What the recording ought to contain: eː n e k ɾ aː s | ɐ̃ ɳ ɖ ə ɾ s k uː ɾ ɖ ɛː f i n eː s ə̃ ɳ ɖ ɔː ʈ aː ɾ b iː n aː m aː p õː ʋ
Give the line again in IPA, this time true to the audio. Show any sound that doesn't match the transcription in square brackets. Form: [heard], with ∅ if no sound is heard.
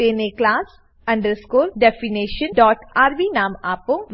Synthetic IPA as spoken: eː n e k [l] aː s | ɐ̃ ɳ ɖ ə ɾ s k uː [l] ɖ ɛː f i n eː [ʃ] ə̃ [n] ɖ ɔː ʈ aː ɾ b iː n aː m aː p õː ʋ